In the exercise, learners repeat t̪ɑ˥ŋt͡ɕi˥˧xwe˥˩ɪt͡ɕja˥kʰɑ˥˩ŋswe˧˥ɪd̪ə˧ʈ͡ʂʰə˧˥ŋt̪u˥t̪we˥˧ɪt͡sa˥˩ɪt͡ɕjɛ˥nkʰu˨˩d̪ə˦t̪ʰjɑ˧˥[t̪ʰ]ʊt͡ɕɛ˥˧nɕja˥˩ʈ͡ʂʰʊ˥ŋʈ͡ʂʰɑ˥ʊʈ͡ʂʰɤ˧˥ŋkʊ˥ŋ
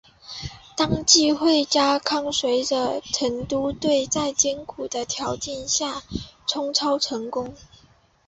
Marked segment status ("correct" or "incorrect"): incorrect